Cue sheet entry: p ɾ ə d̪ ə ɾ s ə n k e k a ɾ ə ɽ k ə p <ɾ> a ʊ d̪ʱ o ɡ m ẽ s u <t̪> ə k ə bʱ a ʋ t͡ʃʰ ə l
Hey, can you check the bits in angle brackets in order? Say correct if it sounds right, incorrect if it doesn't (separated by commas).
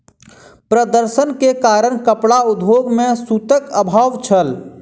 incorrect, correct